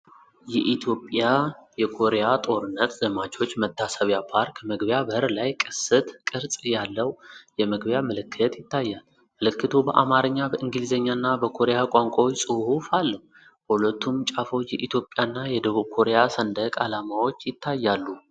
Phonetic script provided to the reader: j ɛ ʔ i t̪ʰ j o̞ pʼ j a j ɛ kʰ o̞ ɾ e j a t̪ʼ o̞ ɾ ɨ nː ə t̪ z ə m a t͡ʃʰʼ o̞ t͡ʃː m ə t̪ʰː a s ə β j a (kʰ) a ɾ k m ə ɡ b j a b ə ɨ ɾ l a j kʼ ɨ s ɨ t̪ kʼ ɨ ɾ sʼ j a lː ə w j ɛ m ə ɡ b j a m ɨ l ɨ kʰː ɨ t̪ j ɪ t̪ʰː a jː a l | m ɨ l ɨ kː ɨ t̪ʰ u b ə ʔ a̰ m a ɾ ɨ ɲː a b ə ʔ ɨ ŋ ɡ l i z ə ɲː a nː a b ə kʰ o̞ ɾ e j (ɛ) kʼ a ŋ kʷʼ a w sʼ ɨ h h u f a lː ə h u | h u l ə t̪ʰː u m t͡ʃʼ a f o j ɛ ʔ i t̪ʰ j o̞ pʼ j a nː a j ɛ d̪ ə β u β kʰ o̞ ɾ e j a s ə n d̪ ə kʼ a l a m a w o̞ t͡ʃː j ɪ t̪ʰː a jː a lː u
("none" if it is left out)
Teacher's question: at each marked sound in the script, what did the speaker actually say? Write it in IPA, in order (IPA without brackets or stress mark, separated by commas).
pʰ, a